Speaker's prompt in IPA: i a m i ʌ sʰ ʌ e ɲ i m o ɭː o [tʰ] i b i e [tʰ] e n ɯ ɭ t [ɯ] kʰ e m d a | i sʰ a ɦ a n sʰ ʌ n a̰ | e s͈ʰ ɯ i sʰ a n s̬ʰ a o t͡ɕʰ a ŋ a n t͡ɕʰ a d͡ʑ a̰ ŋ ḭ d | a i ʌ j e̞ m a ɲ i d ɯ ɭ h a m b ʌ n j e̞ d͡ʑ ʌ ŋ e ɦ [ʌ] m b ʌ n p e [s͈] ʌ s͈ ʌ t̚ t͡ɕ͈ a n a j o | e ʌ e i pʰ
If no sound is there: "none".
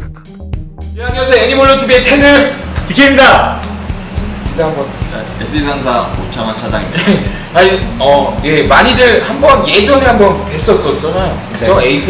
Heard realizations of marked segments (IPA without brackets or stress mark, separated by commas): tʰ, tʰ, ɯ, a, s͈